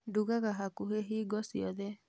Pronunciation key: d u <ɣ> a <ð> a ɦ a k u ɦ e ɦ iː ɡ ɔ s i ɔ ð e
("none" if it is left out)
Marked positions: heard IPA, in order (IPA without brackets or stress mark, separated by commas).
ɣ, ɣ